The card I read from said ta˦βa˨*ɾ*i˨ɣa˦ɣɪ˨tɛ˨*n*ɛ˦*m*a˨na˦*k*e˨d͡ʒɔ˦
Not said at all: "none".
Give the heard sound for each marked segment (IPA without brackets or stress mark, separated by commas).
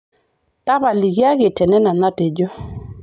l, n, n, t